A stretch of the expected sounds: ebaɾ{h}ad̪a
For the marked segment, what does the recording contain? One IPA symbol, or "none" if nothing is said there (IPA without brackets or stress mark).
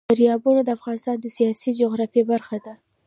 x